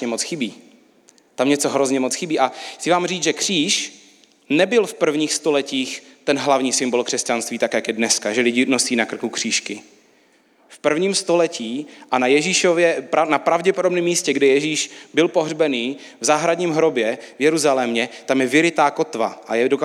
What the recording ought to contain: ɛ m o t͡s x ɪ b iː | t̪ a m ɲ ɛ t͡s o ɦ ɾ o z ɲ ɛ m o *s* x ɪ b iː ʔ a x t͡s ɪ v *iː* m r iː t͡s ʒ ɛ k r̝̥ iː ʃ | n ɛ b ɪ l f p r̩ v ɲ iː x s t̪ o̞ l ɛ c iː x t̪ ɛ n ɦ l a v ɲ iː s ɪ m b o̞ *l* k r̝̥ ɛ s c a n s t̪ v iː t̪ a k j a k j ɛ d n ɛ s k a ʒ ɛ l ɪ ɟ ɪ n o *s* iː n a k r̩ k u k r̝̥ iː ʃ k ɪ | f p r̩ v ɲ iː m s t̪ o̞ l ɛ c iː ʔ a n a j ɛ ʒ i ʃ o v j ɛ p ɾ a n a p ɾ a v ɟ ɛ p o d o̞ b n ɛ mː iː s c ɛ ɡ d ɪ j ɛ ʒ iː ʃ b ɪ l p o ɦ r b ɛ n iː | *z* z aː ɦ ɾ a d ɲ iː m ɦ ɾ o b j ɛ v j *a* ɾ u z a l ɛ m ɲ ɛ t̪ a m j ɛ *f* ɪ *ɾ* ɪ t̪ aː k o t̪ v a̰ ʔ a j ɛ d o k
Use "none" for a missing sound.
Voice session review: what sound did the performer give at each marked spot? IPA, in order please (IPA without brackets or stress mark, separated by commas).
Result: t͡s, aː, l, s, v, ɛ, v, ɾ